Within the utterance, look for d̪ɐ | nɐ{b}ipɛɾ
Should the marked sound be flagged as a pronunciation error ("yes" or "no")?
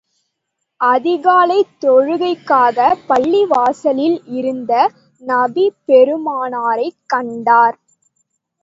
no